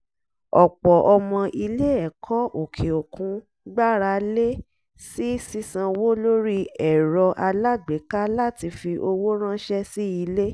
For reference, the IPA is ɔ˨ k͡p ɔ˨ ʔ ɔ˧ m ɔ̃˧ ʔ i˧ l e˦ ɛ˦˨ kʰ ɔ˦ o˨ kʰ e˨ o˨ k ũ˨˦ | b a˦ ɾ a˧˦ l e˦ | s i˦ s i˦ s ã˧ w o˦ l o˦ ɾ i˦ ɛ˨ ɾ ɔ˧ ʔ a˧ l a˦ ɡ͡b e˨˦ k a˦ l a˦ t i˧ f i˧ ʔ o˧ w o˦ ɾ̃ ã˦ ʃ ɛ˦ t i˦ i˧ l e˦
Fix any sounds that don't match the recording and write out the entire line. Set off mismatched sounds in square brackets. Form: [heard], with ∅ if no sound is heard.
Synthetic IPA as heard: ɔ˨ k͡p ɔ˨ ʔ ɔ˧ m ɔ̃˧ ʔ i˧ l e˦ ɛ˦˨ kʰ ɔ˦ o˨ kʰ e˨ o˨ k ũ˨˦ | [ɡ͡b] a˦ ɾ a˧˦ l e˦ | s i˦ s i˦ s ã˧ w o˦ l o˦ ɾ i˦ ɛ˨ ɾ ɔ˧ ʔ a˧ l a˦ ɡ͡b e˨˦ k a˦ l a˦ t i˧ f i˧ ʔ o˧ w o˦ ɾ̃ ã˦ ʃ ɛ˦ [s] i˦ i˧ l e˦